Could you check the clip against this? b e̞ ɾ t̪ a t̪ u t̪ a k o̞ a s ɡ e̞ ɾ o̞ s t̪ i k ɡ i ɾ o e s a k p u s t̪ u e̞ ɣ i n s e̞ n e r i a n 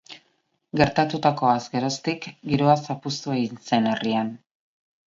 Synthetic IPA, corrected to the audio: ɡ e̞ ɾ t̪ a t̪ u t̪ a k o̞ a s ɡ e̞ ɾ o̞ s t̪ i k ɡ i ɾ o a s a p u s t̪ u e̞ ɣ i n s e̞ n e r i a n